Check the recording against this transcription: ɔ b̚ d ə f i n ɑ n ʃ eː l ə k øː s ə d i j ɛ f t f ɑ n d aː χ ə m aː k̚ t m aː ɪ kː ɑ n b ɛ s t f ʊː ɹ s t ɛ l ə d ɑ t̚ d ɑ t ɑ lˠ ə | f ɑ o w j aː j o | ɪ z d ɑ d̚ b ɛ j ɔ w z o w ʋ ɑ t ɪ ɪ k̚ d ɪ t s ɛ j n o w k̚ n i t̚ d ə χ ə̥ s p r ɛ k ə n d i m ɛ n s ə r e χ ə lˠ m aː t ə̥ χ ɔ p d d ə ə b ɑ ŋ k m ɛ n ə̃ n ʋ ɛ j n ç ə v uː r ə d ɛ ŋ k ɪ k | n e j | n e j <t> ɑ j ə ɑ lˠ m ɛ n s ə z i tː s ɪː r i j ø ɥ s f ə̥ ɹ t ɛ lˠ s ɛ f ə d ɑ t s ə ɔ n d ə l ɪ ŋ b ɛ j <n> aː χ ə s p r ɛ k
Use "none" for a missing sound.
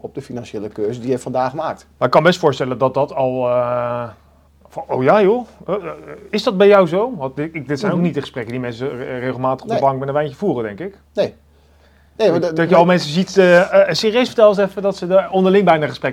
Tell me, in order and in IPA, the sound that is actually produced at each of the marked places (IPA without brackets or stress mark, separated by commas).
d, n